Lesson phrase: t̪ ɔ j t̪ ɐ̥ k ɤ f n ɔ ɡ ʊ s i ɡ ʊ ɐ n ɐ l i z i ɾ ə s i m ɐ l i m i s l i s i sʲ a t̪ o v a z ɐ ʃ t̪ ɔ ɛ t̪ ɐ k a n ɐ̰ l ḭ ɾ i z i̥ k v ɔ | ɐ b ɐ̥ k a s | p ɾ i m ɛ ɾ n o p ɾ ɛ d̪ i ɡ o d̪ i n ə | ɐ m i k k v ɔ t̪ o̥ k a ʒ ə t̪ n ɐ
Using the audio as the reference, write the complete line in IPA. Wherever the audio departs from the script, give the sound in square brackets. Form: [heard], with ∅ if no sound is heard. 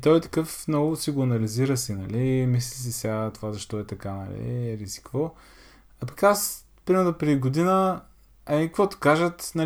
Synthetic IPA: t̪ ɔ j t̪ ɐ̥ k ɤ f n ɔ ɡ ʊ s i ɡ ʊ ɐ n ɐ l i z i ɾ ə s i [n] ɐ l i m i s l i s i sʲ a t̪ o v a z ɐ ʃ t̪ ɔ ɛ t̪ ɐ k a n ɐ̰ l ḭ ɾ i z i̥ k v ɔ | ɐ [p] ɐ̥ k a s | p ɾ i m ɛ ɾ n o p ɾ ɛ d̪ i ɡ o d̪ i n ə | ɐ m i k k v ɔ t̪ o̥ k a ʒ ə t̪ n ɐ